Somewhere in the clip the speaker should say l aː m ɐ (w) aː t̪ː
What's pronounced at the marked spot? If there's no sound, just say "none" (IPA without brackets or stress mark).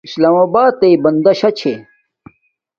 b